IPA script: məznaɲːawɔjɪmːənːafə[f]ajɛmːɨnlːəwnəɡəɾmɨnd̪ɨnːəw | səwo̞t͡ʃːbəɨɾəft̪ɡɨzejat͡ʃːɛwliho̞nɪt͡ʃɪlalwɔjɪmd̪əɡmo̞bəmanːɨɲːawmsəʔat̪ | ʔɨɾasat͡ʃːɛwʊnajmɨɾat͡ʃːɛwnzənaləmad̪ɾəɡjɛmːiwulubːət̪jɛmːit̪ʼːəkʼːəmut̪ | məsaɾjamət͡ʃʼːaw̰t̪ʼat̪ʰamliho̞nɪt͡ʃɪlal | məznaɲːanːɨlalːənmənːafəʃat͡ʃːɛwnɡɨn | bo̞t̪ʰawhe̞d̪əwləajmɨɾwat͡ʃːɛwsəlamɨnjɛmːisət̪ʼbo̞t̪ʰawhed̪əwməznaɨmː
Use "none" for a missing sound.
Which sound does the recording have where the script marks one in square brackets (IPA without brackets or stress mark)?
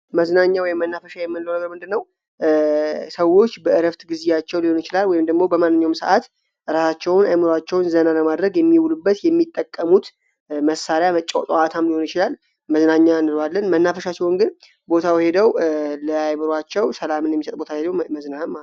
ʃ